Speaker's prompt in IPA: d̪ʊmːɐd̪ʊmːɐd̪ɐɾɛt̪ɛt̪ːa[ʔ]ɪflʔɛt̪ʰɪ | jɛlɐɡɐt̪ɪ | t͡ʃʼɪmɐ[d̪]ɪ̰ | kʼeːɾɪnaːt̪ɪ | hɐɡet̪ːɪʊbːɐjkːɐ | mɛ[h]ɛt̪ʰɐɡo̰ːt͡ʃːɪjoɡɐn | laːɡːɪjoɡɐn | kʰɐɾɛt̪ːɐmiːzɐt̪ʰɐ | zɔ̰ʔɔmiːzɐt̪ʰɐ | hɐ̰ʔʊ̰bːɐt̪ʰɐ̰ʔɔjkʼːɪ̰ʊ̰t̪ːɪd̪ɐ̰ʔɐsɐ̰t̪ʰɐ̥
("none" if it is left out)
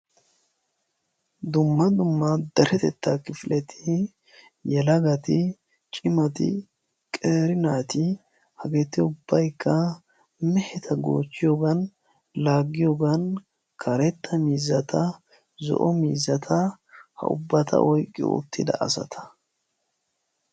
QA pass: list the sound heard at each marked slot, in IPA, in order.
k, t̪, h

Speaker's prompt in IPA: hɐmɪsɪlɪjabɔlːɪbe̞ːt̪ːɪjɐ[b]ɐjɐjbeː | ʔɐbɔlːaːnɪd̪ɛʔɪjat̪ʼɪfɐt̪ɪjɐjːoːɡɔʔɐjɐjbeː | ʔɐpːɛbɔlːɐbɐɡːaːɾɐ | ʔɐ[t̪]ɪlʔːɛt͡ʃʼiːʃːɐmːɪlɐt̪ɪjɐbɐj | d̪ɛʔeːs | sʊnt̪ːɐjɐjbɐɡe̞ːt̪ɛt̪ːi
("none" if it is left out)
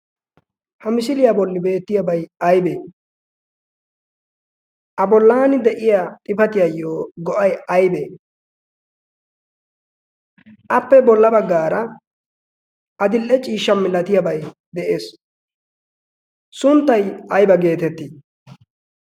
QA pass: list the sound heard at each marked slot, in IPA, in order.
b, d̪

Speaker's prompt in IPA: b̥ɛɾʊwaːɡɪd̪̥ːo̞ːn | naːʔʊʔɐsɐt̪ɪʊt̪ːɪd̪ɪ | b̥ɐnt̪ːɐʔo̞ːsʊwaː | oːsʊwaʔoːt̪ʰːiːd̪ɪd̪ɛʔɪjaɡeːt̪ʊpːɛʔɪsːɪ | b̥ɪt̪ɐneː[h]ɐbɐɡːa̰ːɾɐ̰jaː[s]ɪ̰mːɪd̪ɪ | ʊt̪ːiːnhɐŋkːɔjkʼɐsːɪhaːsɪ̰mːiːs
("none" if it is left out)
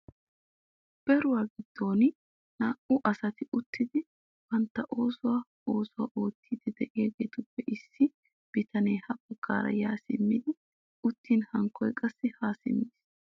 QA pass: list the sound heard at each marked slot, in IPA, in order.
h, s

